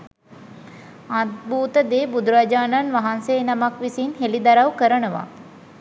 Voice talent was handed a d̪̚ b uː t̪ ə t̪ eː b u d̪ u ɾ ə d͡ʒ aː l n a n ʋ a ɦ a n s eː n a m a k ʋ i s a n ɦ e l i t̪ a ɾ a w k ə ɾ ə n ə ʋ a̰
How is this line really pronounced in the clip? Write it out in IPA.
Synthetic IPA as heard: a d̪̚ b uː t̪ ə d̪ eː b u d̪ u ɾ a d͡ʒ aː n a n ʋ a ɦ a n s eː n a m a k ʋ i s i n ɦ e l i d̪ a ɾ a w k ə ɾ ə n ə ʋ a̰